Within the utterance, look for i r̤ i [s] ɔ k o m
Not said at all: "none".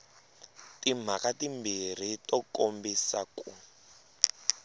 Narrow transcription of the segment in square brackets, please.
t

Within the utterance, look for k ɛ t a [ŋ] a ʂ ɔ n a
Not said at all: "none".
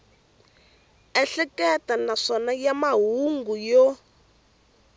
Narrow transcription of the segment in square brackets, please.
n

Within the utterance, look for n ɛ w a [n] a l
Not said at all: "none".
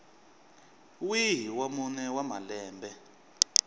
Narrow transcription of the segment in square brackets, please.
m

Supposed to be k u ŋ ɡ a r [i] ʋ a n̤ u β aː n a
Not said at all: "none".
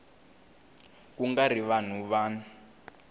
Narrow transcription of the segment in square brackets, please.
i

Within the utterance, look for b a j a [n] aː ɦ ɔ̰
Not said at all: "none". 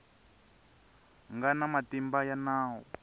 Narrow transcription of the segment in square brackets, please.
n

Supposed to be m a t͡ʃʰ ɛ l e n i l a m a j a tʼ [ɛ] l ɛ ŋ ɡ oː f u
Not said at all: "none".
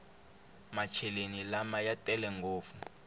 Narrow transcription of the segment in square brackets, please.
ɛ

